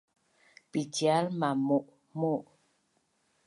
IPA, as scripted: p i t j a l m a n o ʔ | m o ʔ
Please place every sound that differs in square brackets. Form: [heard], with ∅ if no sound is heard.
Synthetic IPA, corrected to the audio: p i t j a l m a [m] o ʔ | m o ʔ